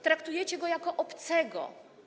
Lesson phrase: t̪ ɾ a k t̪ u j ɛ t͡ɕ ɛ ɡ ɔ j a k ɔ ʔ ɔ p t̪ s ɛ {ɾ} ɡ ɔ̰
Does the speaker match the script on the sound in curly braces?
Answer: no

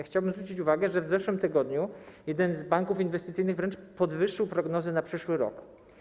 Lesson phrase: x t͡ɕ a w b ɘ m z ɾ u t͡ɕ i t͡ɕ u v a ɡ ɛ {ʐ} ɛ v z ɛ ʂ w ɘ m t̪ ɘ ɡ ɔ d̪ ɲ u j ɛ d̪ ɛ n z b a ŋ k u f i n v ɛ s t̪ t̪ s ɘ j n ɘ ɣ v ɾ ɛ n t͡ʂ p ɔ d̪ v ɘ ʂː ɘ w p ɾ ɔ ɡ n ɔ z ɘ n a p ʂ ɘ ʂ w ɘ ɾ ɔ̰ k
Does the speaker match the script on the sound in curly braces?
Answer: yes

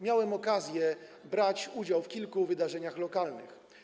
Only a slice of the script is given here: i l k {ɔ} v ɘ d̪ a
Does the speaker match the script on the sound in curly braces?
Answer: no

